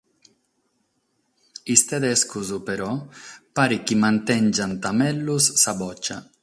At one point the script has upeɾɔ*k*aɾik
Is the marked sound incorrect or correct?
incorrect